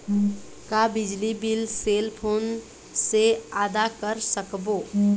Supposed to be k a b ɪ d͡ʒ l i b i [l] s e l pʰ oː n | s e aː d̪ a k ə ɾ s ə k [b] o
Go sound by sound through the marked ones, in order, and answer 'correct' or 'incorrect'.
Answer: correct, correct

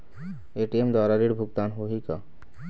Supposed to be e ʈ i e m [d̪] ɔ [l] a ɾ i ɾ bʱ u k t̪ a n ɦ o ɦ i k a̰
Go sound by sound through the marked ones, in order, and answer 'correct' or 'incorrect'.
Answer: correct, incorrect: ɾ

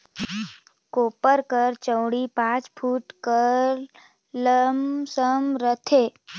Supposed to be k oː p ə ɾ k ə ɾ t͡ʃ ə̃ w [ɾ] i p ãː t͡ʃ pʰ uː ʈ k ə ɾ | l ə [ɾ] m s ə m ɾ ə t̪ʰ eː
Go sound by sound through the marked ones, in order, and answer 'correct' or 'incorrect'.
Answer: incorrect: ɽ, incorrect: none

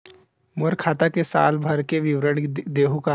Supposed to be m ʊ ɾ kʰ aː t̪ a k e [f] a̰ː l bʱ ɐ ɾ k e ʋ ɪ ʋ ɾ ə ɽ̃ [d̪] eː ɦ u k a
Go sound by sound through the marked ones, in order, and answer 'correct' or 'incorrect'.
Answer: incorrect: s, correct

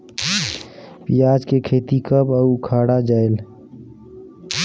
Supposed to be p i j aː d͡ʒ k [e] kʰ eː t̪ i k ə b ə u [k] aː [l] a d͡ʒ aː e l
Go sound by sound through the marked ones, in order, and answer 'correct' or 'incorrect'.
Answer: correct, incorrect: kʰ, incorrect: ɽ

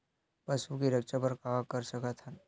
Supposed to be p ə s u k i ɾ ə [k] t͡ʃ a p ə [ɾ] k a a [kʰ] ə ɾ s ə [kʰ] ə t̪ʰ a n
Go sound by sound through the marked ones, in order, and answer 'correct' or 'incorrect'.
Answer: correct, correct, incorrect: k, incorrect: k

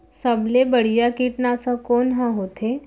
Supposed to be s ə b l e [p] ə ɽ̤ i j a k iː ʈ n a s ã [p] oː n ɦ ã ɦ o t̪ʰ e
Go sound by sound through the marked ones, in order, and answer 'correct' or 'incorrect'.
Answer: incorrect: b, incorrect: k

